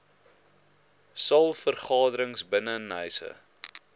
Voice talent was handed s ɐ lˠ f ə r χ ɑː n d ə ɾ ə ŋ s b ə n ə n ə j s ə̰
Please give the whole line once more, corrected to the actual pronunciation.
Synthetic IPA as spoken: s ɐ lˠ f ə r χ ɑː d ə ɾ ə ŋ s b ə n ə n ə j s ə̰